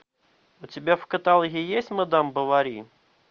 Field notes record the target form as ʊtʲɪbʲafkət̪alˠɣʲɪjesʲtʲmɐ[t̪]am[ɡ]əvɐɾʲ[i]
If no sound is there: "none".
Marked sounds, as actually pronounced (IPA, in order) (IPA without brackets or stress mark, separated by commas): d̪, b, i